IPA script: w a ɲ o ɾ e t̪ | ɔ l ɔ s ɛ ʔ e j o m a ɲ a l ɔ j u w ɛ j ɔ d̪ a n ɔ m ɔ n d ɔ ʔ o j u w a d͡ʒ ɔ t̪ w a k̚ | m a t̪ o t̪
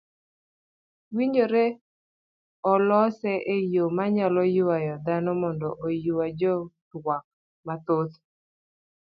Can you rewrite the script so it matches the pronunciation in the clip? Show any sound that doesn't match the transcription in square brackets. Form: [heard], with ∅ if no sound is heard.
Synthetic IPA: w [i] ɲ o ɾ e [∅] | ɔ l ɔ s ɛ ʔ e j o m a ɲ a l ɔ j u w [a] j ɔ d̪ a n ɔ m ɔ n d ɔ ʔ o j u w a d͡ʒ ɔ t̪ w a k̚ | m a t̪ o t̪